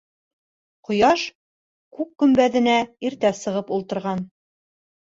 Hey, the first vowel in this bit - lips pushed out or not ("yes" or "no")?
yes